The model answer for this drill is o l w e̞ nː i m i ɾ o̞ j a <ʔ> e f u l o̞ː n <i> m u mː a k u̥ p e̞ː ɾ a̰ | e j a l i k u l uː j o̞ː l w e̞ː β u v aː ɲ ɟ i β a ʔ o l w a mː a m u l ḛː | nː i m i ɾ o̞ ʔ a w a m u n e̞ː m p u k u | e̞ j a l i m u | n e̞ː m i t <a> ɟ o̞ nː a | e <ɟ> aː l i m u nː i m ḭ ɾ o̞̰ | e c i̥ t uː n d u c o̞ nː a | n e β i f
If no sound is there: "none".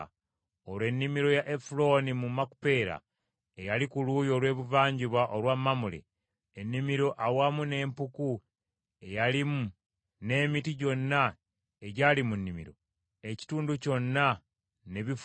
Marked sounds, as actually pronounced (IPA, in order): ʔ, i, i, ɟ

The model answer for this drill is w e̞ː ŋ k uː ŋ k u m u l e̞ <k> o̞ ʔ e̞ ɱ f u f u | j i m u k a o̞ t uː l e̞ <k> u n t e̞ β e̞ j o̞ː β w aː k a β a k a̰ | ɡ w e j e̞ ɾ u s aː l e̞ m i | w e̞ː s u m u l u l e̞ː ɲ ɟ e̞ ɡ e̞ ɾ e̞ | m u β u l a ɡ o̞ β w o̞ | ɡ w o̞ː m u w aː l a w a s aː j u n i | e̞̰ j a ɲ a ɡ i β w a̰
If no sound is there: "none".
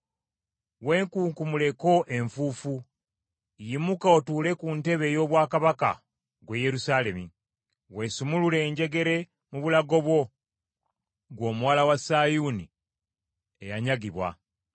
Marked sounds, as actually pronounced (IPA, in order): k, k

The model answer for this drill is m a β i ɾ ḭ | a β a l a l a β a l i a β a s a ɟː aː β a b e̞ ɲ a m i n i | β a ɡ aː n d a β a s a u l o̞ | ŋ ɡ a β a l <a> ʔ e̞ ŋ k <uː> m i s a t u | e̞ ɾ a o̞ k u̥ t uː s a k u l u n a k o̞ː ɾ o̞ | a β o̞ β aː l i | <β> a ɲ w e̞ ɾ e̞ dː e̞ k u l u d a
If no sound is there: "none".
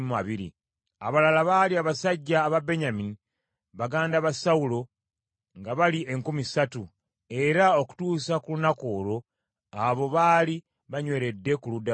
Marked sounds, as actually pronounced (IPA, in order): i, u, β

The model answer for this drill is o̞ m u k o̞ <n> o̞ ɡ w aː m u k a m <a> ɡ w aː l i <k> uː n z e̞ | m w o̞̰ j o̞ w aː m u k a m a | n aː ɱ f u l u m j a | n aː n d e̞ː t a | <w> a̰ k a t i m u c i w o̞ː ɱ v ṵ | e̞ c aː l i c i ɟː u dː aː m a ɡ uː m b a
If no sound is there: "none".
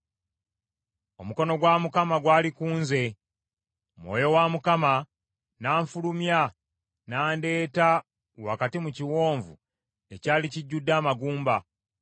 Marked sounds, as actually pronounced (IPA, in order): n, a, k, w

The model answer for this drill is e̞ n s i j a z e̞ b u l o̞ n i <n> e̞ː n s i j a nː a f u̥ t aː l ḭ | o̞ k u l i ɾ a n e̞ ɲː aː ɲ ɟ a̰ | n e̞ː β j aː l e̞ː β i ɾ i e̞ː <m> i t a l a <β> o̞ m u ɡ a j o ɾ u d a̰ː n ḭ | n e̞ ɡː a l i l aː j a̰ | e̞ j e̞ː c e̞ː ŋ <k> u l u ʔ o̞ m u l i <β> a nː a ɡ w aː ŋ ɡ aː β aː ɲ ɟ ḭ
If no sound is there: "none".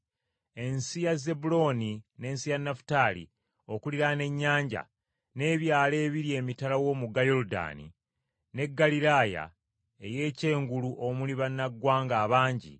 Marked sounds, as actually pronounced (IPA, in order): n, m, w, ɡ, β

